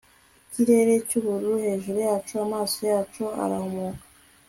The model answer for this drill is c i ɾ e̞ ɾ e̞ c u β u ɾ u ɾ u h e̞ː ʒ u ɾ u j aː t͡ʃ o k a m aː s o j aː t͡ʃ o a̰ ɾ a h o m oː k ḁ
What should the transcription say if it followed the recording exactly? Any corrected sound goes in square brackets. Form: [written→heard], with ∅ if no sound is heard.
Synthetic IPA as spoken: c i ɾ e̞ ɾ e̞ c u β u ɾ u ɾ u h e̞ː ʒ u ɾ u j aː t͡ʃ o [k→∅] a m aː s o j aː t͡ʃ o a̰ ɾ a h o m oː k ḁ